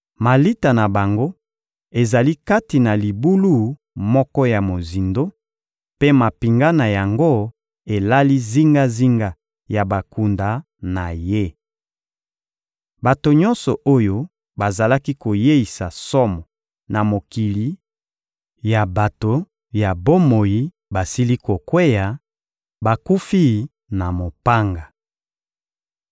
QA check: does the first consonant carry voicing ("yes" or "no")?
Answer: yes